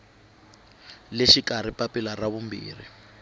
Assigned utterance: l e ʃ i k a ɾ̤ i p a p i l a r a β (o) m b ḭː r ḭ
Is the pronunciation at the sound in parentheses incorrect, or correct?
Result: incorrect